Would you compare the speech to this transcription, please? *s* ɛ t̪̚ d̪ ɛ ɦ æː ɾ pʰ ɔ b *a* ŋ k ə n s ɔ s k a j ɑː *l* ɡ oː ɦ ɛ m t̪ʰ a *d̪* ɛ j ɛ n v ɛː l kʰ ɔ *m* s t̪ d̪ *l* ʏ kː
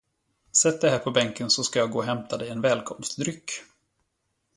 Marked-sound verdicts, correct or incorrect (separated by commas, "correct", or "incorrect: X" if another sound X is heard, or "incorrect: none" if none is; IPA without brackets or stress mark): correct, incorrect: ɛ, incorrect: none, correct, correct, incorrect: ɾ